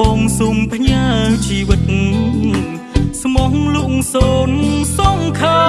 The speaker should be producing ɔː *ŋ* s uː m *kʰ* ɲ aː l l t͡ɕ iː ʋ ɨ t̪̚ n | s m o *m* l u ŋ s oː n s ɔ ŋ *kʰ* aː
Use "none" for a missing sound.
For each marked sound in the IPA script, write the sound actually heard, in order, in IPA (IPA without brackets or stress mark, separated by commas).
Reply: ŋ, pʰ, ŋ, kʰ